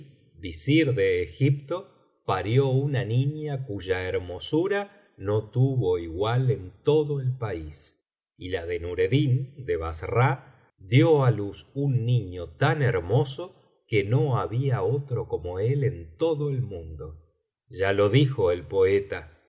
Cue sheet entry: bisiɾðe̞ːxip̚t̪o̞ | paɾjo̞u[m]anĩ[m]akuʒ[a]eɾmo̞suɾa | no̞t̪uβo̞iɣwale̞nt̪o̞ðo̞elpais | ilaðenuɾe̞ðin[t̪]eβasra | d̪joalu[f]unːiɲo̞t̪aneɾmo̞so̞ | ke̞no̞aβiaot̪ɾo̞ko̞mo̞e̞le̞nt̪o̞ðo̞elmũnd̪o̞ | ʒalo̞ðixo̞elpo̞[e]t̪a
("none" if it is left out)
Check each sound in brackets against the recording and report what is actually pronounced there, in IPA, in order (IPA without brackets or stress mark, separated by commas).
n, ɲ, a, d̪, s, e